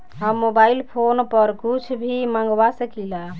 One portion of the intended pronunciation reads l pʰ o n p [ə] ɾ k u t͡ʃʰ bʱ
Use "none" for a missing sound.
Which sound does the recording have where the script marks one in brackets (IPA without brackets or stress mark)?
ə